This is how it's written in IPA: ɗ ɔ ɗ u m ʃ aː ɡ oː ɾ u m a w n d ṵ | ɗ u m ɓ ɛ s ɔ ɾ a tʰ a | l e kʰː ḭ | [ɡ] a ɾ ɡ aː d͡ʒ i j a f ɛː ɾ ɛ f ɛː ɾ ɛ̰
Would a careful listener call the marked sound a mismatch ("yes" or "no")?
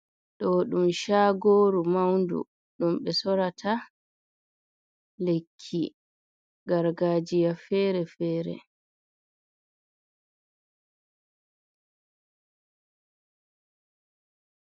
no